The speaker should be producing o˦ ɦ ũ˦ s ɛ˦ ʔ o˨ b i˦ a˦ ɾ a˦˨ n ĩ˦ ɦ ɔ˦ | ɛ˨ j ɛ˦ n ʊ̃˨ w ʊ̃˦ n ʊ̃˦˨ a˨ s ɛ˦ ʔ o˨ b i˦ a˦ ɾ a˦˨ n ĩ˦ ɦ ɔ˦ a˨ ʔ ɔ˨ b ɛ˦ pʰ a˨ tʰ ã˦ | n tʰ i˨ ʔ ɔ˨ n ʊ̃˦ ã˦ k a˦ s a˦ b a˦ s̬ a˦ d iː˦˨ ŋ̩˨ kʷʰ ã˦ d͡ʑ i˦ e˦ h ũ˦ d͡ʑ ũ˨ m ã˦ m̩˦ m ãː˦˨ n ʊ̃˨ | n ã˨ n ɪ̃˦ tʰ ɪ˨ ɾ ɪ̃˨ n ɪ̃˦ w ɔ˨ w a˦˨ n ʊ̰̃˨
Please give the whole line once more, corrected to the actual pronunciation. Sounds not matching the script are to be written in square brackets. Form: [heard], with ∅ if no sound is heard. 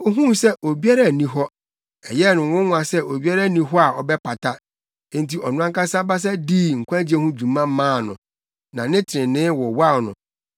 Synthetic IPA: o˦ ɦ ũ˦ s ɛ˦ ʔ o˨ b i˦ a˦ ɾ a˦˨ n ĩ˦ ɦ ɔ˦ | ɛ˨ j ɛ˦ n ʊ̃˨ w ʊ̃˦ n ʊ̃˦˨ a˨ s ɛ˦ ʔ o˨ b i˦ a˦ ɾ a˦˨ n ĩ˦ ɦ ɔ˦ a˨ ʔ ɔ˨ b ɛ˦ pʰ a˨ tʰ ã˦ | n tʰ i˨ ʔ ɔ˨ n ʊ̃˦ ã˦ k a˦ s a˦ b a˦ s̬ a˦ d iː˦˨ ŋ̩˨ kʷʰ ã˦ d͡ʑ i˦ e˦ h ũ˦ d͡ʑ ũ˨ m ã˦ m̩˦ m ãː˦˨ n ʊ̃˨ | n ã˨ n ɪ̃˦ tʰ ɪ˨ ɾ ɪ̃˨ n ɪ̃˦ w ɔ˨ w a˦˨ n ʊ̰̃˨